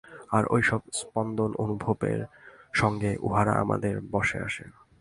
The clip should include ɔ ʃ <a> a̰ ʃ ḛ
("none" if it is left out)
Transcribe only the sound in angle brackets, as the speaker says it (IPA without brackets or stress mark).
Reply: e